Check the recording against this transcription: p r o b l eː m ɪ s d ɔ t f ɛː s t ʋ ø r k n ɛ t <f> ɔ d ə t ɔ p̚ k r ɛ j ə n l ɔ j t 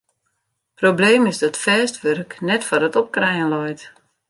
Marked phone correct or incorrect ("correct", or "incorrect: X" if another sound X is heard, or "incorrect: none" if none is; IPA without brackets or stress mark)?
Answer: correct